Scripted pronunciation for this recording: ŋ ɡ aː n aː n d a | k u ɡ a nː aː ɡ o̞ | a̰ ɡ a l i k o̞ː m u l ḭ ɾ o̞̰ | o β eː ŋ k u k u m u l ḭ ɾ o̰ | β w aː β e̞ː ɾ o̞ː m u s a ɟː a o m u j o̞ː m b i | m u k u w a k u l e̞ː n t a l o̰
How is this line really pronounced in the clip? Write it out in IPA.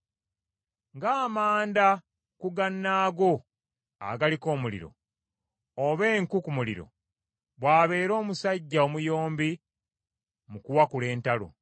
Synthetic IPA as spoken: ŋ ɡ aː m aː n d a | k u ɡ a nː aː ɡ o̞ | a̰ ɡ a l i k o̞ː m u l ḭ ɾ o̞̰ | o β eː ŋ k u k u m u l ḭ ɾ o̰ | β w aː β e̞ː ɾ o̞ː m u s a ɟː a o m u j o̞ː m b i | m u k u w a k u l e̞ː n t a l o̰